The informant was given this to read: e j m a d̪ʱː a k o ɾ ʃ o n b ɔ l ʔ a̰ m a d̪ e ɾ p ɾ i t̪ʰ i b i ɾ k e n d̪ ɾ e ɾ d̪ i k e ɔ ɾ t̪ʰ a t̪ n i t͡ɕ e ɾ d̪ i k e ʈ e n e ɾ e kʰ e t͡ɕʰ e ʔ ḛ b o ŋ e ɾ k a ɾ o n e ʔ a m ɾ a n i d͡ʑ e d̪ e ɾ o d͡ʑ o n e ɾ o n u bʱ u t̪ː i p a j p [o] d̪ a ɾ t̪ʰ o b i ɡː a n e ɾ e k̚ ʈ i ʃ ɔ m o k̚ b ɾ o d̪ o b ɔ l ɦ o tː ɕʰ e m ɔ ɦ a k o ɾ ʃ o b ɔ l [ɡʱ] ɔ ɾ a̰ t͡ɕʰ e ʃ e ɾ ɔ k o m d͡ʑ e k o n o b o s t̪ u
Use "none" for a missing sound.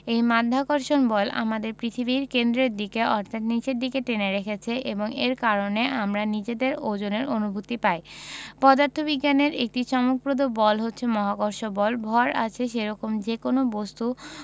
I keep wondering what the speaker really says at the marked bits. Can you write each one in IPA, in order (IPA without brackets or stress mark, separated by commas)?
ɔ, bʱ